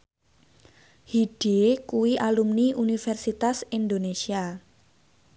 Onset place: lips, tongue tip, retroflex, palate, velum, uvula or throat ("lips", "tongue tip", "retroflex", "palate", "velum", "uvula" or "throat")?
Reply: throat